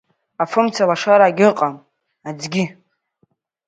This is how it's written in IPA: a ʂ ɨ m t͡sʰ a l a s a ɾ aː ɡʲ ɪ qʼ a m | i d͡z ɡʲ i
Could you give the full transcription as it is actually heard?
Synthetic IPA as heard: a f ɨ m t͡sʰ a l a ʂ a ɾ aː ɡʲ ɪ qʼ a m | a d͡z ɡʲ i